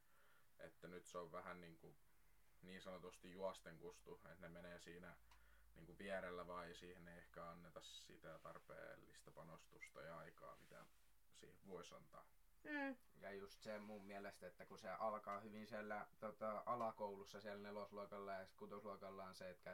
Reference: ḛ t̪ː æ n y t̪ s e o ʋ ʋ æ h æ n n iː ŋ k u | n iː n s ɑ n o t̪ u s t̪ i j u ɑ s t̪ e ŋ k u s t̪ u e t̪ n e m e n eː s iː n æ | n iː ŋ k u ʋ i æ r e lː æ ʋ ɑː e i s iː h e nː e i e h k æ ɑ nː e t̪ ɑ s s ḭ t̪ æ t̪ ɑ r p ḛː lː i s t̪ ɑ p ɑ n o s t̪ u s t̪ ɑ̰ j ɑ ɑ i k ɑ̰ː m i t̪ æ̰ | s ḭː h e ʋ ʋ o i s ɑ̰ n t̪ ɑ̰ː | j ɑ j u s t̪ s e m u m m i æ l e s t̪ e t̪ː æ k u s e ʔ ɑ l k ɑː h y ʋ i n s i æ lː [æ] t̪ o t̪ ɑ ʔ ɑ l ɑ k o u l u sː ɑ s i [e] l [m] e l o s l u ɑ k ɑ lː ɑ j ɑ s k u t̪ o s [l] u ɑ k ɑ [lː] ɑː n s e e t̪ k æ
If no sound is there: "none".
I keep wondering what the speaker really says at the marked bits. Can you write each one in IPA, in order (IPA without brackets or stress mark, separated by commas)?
æ, æ, n, l, lː